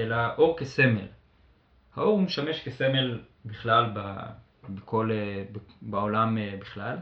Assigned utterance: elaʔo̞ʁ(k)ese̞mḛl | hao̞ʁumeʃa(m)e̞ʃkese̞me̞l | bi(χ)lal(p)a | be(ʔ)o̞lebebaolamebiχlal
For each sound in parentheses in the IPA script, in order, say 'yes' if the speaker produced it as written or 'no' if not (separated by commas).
yes, yes, yes, no, no